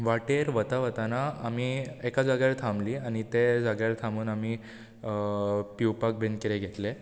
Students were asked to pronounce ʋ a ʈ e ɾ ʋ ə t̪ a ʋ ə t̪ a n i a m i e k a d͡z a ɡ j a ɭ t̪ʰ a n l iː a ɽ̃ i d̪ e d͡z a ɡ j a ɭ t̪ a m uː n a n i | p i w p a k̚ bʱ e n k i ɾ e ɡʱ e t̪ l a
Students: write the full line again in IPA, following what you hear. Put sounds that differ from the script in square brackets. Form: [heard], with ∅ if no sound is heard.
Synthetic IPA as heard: ʋ a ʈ e ɾ ʋ ə t̪ a ʋ ə t̪ a n [a] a m i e k a d͡z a ɡ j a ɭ t̪ʰ a [m] l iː a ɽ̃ i [t̪] e d͡z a ɡ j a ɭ [t̪ʰ] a m uː n a [m] i | p i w p a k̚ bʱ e n k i ɾ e ɡʱ e t̪ l [e]